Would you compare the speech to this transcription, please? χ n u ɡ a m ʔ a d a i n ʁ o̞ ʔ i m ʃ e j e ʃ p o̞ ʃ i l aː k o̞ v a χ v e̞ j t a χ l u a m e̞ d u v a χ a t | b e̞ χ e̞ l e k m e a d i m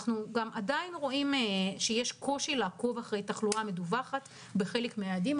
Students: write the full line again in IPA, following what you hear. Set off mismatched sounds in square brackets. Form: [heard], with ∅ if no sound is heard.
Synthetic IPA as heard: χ n u ɡ a m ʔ a d a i n ʁ o̞ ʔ i m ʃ e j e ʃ [k] o̞ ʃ i l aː k o̞ v a χ [ʁ] e̞ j t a χ l u a m e̞ d u v a χ a t | b e̞ χ e̞ l e k m e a d i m